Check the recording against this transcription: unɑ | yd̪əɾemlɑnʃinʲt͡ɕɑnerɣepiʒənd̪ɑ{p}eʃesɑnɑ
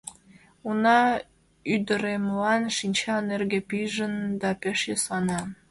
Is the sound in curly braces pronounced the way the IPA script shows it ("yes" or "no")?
yes